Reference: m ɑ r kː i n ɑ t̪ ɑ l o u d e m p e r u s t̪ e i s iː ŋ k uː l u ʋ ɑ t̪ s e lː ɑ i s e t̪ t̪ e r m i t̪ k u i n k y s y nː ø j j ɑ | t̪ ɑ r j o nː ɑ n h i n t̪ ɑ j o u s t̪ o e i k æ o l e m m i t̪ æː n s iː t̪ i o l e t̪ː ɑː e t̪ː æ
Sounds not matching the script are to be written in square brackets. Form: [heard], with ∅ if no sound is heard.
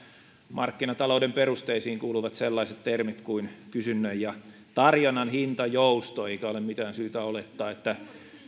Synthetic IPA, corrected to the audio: m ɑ r kː i n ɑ t̪ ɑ l o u d e m p e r u s t̪ e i s iː ŋ k uː l u ʋ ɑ t̪ s e lː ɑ i s e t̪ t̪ e r m i t̪ k u i n k y s y nː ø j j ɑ | t̪ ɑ r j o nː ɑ n h i n t̪ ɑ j o u s t̪ o e i k æ o l e m m i t̪ æː n s [yː] t̪ [æ] o l e t̪ː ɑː e t̪ː æ